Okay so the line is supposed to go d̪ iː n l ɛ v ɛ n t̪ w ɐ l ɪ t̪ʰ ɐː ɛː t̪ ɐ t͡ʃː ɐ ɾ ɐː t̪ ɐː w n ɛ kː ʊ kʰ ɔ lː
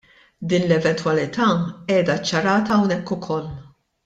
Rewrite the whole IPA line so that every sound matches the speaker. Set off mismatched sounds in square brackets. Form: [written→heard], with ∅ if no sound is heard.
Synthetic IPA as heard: d̪ iː n l ɛ v ɛ n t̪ w ɐ l ɪ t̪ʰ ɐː ɛː [t̪→d̪] ɐ t͡ʃː ɐ ɾ ɐː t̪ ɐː w n ɛ kː ʊ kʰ ɔ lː

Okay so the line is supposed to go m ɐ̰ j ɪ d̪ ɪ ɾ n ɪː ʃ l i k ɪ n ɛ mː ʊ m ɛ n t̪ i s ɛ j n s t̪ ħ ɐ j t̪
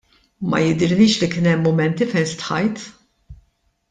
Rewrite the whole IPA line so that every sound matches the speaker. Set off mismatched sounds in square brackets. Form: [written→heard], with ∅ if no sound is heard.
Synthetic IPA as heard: m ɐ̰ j ɪ d̪ ɪ ɾ n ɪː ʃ l i k ɪ n ɛ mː ʊ m ɛ n t̪ i [s→f] ɛ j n s t̪ ħ ɐ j t̪

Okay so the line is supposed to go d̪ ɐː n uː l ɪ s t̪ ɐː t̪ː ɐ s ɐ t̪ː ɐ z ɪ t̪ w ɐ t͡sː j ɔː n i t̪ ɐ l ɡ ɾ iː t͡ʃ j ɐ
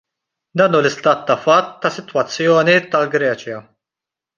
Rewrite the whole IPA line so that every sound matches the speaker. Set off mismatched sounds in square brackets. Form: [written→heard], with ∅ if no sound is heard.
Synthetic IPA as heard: d̪ ɐː n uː l ɪ s t̪ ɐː t̪ː ɐ [s→f] ɐ t̪ː ɐ [z→s] ɪ t̪ w ɐ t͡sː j ɔː n i t̪ ɐ l ɡ ɾ [iː→ɛː] t͡ʃ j ɐ

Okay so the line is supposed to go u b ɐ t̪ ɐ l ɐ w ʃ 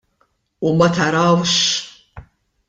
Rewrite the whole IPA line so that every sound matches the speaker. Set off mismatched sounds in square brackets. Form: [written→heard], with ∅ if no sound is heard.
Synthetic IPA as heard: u [b→m] ɐ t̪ ɐ [l→ɾ] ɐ w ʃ

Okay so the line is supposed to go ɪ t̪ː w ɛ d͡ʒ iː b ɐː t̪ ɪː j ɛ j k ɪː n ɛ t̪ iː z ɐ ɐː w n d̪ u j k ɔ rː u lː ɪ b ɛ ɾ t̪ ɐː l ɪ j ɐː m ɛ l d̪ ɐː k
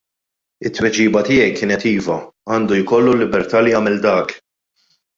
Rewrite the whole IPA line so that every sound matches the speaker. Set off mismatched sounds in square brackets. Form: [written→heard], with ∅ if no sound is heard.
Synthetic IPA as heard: ɪ t̪ː w ɛ d͡ʒ iː b [ɐː→ɐ] t̪ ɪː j ɛ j k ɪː n ɛ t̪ iː [z→v] ɐ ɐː [w→∅] n d̪ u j k ɔ [rː→lː] u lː ɪ b ɛ ɾ t̪ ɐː l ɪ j ɐː m ɛ l d̪ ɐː k

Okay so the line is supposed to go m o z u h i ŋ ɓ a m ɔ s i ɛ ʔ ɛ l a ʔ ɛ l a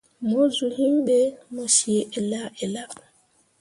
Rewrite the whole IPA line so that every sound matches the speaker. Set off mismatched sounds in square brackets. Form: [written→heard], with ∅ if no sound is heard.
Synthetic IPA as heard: m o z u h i [ŋ→m] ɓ [a→ɛ] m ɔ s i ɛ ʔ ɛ l a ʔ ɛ l a

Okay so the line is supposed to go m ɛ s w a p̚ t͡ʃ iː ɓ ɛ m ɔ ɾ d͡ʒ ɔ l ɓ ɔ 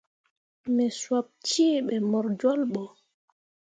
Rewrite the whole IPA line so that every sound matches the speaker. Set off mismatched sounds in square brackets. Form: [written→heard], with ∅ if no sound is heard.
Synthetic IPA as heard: m ɛ s w a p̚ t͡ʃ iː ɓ ɛ m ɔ ɾ d͡ʒ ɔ l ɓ ɔ

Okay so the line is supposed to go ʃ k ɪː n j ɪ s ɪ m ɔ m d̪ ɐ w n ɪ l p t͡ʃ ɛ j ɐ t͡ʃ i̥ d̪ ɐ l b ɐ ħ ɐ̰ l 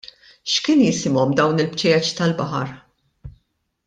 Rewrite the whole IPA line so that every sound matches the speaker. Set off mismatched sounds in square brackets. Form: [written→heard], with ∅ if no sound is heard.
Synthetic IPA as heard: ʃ k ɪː n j ɪ s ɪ m ɔ m d̪ ɐ w n ɪ l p t͡ʃ ɛ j ɐ t͡ʃ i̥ [d̪→t̪] ɐ l b ɐ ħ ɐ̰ [l→ɾ]

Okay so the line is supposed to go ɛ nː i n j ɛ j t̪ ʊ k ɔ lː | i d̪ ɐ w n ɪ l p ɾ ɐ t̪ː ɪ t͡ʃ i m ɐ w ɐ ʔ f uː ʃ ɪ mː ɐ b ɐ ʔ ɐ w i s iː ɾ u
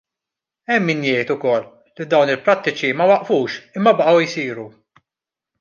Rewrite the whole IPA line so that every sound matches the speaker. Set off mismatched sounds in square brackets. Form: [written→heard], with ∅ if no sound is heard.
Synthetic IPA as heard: ɛ [nː→mː] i n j ɛ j t̪ ʊ k ɔ lː | i d̪ ɐ w n ɪ l p ɾ ɐ t̪ː ɪ t͡ʃ i m ɐ w ɐ ʔ f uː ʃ ɪ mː ɐ b ɐ ʔ ɐ w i s iː ɾ u

